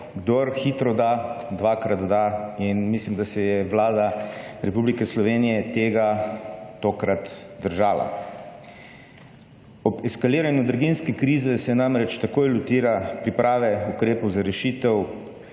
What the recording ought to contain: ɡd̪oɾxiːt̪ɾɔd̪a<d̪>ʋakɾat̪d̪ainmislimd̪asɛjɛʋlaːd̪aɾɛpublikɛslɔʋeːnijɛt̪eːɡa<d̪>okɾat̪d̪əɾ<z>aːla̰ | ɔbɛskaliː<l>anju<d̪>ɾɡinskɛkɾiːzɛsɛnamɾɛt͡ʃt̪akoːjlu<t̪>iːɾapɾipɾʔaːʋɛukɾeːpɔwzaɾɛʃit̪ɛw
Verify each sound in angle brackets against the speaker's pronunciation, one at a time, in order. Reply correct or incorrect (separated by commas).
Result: correct, incorrect, incorrect, incorrect, correct, correct